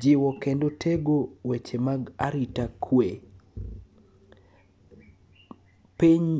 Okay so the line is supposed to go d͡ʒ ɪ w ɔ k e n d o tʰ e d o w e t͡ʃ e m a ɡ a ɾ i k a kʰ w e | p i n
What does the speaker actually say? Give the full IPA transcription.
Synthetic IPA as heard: d͡ʒ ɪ w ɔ k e n d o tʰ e ɡ o w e t͡ʃ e m a ɡ a ɾ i t a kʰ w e | p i ɲ